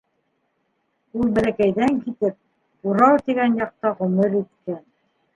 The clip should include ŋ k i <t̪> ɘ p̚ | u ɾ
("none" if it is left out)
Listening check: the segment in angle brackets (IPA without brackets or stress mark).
t̪